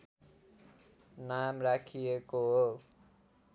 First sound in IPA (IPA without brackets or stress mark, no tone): n